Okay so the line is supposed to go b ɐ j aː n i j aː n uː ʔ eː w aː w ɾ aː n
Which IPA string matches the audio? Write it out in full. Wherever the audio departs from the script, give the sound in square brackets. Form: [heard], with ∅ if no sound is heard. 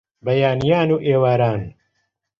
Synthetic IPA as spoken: b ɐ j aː n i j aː n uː ʔ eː w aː [∅] ɾ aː n